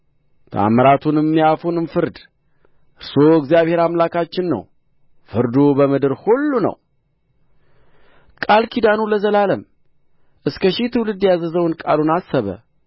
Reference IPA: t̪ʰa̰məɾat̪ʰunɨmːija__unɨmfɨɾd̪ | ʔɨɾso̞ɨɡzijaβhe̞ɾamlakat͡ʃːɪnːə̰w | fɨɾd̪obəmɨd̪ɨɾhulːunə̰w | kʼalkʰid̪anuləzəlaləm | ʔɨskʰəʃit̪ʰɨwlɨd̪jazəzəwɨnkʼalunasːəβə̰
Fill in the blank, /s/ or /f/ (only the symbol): f